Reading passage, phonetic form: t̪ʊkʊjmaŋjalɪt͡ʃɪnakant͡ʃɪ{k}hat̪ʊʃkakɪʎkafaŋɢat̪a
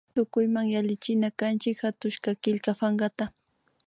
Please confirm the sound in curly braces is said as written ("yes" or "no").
yes